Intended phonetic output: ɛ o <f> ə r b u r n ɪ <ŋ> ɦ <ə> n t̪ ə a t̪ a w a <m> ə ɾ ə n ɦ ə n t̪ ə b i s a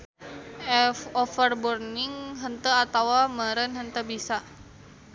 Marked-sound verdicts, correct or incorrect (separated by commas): correct, correct, correct, correct